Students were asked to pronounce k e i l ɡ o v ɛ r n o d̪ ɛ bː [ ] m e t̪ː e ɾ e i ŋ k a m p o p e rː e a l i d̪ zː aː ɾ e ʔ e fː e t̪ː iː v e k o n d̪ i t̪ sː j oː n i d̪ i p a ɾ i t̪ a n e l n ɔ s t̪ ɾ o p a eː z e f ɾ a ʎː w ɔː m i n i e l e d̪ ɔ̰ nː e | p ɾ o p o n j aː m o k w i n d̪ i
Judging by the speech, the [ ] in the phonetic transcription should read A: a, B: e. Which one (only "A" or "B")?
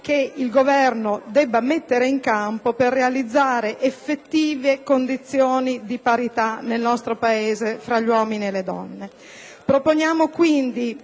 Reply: A